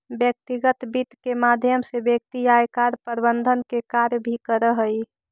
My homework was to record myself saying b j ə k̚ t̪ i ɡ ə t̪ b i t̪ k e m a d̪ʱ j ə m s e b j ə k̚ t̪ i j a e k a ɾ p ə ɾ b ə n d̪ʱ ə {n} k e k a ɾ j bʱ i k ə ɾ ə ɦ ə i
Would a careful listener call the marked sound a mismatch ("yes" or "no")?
no